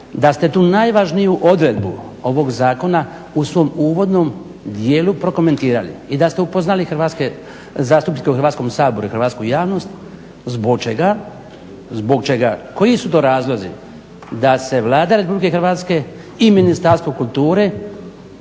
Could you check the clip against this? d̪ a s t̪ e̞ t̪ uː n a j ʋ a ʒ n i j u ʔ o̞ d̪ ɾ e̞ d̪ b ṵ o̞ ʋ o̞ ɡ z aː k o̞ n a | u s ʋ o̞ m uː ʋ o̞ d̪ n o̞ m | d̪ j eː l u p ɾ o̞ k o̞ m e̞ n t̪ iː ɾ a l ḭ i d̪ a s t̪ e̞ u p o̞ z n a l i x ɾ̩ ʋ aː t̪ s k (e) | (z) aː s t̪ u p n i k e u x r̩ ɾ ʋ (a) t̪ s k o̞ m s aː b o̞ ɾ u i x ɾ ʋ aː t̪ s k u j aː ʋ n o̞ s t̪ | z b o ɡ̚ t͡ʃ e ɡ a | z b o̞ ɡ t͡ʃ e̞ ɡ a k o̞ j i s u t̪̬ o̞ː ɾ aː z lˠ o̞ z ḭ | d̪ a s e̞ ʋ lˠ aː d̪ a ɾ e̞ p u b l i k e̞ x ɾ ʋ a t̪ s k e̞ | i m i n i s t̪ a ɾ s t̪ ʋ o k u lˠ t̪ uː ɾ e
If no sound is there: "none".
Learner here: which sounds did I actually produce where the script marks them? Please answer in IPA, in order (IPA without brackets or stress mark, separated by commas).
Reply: e, z, a